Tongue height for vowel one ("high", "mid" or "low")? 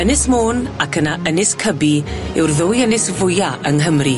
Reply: mid